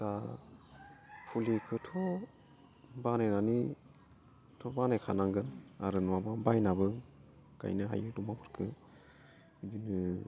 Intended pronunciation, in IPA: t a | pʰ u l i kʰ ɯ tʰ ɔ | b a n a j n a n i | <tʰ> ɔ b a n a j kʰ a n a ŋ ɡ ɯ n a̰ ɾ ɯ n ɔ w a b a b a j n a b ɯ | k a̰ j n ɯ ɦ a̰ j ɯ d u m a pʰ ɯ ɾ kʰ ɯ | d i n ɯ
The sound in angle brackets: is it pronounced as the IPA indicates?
yes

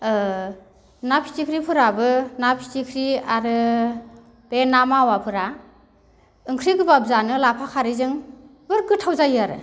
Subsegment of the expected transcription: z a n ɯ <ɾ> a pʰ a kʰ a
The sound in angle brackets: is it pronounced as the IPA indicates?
no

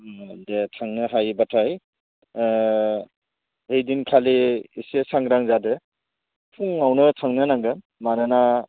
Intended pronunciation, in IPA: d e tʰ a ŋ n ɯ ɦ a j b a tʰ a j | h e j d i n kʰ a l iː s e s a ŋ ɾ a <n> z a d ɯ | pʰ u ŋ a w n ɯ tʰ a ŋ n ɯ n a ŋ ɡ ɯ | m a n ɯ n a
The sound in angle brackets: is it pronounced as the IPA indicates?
no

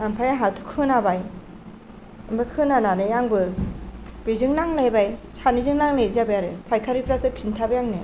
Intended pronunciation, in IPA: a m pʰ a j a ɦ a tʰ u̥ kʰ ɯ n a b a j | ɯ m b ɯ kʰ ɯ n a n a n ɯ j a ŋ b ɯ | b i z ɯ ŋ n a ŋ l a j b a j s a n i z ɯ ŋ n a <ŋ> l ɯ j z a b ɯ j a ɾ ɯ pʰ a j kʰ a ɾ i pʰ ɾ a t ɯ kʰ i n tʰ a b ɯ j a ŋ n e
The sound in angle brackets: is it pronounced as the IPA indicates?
yes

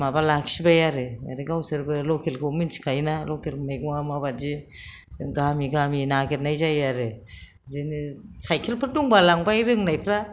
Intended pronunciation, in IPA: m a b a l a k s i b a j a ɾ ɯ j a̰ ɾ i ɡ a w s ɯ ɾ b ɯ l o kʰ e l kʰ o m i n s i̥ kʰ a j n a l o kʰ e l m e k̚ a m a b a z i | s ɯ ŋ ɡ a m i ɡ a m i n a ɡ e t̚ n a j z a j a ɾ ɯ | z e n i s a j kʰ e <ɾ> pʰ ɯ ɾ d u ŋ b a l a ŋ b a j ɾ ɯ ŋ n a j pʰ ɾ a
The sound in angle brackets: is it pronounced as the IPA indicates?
no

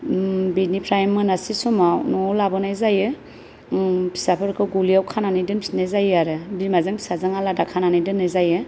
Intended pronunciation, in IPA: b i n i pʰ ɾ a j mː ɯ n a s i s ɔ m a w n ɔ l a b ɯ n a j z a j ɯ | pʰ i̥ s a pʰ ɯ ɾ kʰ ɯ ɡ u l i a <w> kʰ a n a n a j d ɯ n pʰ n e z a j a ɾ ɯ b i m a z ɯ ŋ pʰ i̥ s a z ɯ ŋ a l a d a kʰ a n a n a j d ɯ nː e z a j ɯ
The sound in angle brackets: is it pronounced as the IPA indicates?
yes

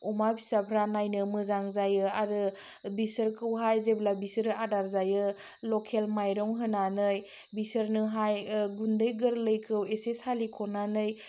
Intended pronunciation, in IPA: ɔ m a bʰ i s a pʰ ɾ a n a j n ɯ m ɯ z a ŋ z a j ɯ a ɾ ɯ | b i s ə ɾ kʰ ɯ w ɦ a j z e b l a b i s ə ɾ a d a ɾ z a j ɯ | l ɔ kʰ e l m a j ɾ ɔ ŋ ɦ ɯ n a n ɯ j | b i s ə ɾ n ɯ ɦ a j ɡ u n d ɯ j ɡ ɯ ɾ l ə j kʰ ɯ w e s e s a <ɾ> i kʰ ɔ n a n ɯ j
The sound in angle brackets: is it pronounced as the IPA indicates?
no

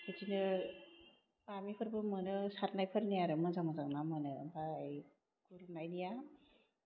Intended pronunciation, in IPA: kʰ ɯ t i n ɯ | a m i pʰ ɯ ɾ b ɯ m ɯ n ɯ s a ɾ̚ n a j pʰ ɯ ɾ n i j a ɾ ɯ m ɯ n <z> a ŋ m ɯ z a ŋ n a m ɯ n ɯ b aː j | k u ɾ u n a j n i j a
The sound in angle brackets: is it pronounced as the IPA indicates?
yes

